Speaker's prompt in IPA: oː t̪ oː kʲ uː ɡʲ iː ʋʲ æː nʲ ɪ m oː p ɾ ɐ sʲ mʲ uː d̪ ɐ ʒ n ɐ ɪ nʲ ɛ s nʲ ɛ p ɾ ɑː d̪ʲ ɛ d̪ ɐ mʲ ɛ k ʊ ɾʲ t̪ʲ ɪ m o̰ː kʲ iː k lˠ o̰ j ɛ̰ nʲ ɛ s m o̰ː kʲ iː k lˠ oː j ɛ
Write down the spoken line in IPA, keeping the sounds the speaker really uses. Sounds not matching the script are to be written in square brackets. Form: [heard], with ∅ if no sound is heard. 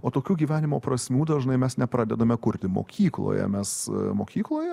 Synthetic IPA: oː t̪ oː kʲ uː ɡʲ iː ʋʲ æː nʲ ɪ m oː p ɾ ɐ sʲ mʲ uː d̪ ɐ ʒ n ɐ ɪ [mʲ] ɛ s nʲ ɛ p ɾ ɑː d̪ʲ ɛ d̪ ɐ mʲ ɛ k ʊ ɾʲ t̪ʲ ɪ m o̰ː kʲ iː k lˠ o̰ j ɛ̰ [mʲ] ɛ s m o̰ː kʲ iː k lˠ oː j ɛ